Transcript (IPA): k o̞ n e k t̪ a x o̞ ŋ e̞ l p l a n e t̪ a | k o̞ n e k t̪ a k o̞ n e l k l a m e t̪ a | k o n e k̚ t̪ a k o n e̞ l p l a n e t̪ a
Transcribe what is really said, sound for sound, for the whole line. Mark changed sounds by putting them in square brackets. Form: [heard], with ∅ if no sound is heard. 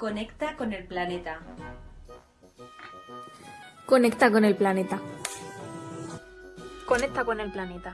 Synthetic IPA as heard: k o̞ n e k t̪ a [k] o̞ [n] e̞ l p l a n e t̪ a | k o̞ n e k t̪ a k o̞ n e l [p] l a [n] e t̪ a | k o n e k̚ t̪ a k o n e̞ l p l a n e t̪ a